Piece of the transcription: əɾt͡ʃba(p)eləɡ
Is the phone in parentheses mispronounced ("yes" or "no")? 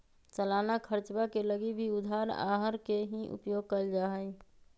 yes